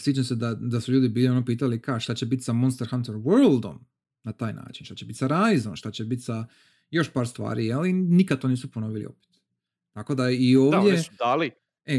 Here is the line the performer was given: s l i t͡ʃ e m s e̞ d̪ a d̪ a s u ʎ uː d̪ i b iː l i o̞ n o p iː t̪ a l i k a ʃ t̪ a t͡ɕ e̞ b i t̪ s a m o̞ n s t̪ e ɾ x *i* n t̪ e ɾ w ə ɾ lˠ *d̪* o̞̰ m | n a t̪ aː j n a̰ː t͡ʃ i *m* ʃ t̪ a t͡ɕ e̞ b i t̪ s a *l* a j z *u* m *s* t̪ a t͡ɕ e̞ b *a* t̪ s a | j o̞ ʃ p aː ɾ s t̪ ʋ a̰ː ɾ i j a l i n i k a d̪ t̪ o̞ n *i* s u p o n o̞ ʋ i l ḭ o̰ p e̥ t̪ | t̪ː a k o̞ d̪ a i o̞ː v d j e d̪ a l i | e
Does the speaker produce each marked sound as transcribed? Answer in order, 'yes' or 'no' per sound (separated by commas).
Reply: no, yes, no, no, no, no, no, no